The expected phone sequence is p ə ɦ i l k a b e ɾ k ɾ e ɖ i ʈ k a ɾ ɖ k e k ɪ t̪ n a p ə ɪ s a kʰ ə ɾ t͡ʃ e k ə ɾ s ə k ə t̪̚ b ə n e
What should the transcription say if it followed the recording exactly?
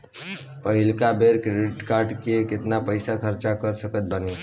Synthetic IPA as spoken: p ə ɦ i l k a b e ɾ k ɾ e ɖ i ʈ k a ɾ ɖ k e k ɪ t̪ n a p ə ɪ s a kʰ ə ɾ t͡ʃ a k ə ɾ s ə k ə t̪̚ b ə n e